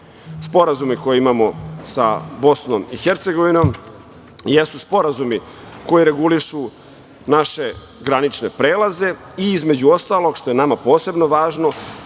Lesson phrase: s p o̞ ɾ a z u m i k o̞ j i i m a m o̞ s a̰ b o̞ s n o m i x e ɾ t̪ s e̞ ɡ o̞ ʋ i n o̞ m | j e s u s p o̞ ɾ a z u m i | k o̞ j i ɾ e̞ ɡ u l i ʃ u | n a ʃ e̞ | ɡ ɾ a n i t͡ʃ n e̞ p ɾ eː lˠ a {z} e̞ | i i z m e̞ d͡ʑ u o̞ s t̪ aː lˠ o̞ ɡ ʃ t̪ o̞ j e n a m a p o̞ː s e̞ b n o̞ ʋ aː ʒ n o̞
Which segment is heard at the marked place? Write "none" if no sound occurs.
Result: z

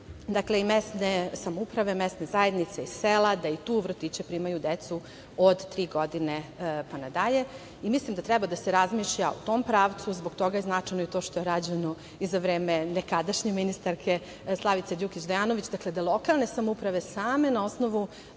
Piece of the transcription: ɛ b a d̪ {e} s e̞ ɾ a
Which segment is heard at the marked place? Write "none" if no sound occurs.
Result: a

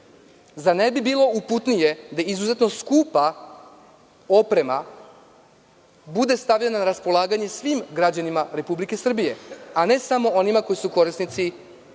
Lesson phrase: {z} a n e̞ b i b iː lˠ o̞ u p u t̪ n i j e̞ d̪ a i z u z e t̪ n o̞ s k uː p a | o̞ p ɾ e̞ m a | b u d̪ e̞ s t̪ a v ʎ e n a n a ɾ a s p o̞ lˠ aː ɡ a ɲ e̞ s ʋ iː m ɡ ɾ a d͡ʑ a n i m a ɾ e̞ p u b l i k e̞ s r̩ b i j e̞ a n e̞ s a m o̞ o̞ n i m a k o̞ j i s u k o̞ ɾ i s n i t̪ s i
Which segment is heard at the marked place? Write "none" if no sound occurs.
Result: z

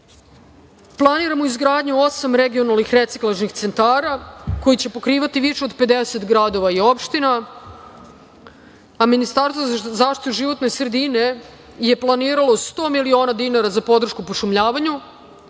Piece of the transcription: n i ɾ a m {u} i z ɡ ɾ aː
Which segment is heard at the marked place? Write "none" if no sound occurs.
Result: o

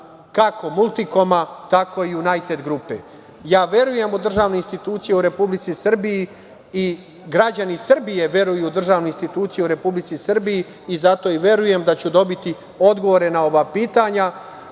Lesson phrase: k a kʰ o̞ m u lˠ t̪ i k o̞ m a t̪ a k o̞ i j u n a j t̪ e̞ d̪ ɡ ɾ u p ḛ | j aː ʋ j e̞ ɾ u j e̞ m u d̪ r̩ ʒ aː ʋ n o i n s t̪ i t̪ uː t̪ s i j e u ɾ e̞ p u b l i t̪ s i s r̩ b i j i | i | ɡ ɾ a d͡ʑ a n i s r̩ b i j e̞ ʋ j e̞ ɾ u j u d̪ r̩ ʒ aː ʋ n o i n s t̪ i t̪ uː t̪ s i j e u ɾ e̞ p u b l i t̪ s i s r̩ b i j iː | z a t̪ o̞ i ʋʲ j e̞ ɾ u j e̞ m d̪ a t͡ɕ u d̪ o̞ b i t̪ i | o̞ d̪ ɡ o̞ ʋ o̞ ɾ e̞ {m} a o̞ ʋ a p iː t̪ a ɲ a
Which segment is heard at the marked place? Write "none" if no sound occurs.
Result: n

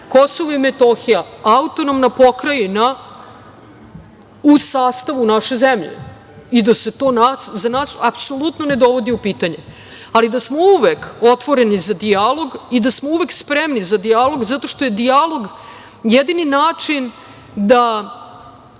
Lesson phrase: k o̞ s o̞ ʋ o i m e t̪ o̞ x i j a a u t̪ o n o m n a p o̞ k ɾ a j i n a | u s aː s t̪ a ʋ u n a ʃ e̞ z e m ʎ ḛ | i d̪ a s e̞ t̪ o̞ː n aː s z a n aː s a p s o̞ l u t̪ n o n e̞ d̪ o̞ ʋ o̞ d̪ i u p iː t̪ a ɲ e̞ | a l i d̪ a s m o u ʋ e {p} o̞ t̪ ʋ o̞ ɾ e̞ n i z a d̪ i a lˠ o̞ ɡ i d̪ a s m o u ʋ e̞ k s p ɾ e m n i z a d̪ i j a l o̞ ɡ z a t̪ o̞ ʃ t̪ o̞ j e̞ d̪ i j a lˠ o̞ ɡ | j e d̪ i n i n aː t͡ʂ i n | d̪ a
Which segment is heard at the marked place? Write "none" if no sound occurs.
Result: k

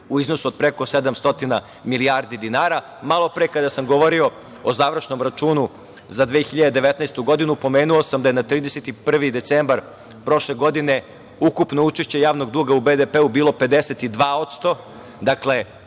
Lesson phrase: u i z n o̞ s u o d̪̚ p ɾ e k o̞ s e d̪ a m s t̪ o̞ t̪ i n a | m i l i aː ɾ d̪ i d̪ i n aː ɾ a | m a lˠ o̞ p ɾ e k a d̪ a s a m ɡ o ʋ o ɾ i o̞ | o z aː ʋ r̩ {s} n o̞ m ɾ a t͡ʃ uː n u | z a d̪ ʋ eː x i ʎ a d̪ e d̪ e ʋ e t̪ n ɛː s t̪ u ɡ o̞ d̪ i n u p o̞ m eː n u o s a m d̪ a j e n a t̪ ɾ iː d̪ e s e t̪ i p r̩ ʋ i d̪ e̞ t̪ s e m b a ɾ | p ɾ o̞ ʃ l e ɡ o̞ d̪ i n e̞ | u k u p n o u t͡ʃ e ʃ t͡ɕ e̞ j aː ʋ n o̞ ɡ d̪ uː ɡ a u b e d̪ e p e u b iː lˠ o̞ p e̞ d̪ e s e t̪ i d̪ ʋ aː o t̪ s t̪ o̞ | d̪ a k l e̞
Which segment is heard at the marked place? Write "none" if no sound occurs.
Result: ʃ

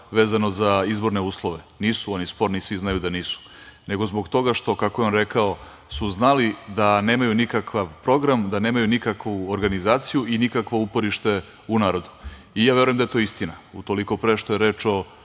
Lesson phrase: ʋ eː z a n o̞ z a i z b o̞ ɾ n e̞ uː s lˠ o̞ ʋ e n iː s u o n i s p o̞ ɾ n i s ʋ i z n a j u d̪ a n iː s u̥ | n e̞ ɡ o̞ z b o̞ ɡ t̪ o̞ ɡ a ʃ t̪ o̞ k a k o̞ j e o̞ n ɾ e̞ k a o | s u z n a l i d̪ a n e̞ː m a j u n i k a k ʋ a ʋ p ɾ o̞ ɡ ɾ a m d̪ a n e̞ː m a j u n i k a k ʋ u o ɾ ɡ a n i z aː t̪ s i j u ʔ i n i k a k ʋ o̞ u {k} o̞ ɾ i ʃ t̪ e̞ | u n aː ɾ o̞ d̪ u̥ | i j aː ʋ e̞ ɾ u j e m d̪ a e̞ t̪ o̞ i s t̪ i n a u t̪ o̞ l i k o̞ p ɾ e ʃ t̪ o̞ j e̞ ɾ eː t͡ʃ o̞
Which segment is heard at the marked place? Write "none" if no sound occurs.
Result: p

